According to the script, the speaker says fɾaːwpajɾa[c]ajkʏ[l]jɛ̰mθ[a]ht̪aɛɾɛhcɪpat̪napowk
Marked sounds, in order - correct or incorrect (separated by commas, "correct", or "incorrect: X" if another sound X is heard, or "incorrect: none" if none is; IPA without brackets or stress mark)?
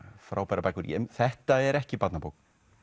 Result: incorrect: p, incorrect: ɾ, incorrect: ɛ